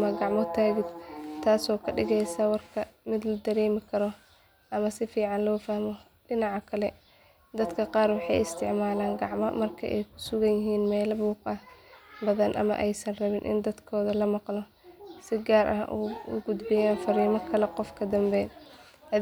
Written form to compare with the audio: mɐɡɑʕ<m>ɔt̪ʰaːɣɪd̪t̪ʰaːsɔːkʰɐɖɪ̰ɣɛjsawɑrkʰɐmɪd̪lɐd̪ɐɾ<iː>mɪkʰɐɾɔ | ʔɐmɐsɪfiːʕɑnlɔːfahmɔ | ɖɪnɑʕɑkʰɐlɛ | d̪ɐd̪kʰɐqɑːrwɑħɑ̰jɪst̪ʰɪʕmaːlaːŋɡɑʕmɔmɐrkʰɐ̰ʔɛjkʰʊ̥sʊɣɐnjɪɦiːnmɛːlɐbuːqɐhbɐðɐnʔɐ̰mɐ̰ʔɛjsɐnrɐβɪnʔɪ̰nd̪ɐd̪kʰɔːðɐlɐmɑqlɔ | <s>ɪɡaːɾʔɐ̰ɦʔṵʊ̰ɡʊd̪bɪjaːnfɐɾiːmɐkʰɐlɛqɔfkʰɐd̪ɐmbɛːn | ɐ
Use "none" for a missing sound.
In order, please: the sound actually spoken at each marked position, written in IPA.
m, ɛː, s

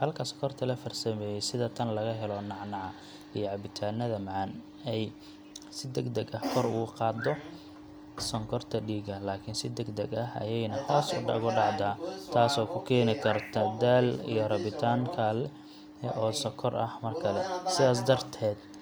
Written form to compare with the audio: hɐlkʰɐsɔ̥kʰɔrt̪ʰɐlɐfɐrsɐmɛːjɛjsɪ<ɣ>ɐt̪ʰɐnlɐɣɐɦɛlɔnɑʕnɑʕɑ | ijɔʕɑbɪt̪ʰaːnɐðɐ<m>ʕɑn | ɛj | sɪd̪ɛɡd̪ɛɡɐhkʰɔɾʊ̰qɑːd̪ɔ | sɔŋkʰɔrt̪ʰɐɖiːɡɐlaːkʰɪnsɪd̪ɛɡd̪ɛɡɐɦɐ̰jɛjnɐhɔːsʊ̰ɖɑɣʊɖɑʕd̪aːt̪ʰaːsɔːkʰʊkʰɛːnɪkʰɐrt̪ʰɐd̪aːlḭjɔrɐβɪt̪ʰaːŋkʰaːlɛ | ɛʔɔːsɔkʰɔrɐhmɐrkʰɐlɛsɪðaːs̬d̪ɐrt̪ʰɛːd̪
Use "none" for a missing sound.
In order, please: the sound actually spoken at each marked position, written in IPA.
ð, m

